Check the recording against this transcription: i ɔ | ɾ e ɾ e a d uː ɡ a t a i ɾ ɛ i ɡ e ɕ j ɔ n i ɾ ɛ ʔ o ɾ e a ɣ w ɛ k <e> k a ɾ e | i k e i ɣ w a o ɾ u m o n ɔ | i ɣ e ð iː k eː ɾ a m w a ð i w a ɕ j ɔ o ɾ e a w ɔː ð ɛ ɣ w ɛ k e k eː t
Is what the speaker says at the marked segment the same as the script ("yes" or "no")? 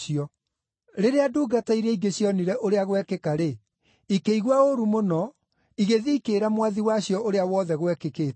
yes